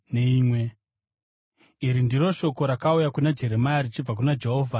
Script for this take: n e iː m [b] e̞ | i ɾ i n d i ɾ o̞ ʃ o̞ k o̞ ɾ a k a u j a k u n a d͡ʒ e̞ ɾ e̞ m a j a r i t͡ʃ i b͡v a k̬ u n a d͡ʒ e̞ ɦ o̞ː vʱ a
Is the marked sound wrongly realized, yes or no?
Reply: yes